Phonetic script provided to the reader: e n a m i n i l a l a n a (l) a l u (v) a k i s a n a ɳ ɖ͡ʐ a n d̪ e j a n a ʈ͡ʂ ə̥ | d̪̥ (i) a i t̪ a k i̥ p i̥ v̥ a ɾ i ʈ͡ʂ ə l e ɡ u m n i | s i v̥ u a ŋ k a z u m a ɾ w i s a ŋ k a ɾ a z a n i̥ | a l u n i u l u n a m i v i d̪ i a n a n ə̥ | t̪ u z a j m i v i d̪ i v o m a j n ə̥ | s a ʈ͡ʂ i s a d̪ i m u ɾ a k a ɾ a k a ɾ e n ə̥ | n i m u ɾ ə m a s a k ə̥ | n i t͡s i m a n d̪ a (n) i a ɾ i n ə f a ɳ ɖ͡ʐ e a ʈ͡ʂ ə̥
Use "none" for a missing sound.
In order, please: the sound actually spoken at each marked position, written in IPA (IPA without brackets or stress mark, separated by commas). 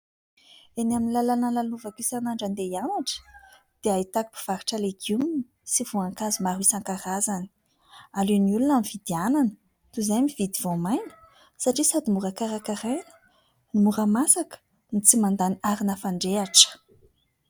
l, v, e, n